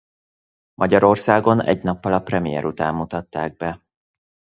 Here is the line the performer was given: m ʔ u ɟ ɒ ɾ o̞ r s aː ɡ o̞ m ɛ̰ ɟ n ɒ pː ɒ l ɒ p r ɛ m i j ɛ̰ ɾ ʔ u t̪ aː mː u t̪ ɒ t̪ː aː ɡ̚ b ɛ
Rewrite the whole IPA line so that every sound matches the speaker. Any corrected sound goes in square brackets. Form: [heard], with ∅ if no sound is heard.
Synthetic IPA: m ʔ [ɒ] ɟ ɒ ɾ o̞ r s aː ɡ o̞ [n] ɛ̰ ɟ n ɒ pː ɒ l ɒ p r ɛ m i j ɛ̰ ɾ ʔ u t̪ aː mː u t̪ ɒ t̪ː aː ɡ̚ b ɛ